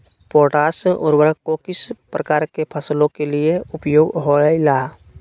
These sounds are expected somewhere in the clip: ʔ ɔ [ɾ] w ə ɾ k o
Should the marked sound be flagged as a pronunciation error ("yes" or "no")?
no